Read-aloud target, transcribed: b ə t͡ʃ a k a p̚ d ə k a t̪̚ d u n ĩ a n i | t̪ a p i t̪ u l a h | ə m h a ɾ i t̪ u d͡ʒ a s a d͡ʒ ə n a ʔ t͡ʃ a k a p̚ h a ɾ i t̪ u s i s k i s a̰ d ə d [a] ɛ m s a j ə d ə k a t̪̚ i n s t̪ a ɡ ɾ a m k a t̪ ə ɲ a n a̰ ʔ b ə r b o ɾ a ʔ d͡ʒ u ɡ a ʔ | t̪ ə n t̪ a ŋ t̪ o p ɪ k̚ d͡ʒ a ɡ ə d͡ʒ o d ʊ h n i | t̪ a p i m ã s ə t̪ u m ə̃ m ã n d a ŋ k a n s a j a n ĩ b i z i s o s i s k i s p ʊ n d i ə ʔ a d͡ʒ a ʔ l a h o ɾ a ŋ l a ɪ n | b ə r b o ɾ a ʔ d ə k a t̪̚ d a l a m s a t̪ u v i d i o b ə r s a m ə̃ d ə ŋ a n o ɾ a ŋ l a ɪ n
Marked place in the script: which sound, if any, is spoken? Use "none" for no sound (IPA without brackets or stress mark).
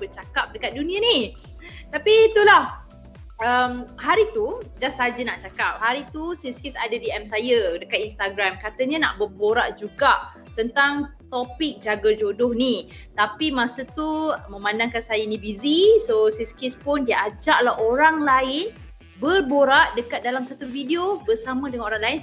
i